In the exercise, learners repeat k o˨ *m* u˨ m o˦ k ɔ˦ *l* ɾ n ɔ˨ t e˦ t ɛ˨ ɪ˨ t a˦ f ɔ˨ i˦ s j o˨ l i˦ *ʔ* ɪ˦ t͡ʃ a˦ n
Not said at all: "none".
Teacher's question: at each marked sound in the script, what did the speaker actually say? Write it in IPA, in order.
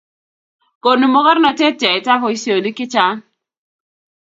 n, none, k

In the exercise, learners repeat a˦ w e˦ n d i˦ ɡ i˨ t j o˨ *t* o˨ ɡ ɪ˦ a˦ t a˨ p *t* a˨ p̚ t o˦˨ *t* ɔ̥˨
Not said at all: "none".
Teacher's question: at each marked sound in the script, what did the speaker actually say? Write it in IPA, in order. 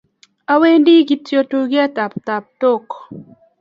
t, t, k

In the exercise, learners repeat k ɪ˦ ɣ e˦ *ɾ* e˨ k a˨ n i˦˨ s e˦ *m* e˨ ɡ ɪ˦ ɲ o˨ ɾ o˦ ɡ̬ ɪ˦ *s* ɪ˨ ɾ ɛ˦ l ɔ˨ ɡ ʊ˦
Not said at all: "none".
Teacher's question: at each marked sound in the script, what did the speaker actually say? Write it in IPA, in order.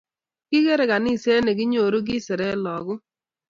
ɾ, n, s

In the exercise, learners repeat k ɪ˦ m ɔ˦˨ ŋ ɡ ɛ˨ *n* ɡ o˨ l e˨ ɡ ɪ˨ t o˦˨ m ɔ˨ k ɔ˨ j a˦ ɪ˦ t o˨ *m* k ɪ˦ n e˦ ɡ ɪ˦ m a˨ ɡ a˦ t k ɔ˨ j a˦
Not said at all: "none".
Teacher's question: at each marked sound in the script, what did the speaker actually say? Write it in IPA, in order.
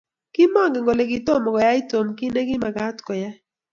ŋ, m

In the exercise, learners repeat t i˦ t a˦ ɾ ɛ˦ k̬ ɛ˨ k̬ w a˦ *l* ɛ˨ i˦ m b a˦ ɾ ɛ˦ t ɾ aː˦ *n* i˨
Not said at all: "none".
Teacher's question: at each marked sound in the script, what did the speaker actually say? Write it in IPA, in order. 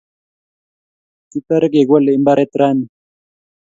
l, n

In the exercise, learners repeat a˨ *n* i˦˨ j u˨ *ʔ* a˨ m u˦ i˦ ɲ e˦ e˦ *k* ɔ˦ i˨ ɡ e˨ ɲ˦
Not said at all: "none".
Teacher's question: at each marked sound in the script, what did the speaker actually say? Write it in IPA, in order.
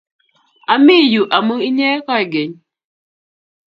m, ʔ, k

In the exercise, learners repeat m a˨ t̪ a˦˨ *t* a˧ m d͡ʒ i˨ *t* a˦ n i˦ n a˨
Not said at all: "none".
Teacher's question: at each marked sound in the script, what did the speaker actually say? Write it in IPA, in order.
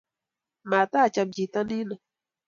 t͡ʃ, t

